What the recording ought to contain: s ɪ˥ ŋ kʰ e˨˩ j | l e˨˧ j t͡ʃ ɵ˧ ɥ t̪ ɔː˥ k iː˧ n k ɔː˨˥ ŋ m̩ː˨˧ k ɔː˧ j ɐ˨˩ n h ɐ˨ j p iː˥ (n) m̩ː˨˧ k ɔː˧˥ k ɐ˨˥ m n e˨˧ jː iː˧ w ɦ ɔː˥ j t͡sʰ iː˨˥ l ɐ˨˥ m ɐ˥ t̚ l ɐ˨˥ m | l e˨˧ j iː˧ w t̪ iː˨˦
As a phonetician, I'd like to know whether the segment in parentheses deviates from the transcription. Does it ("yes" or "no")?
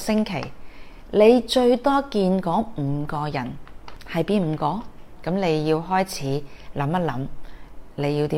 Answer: no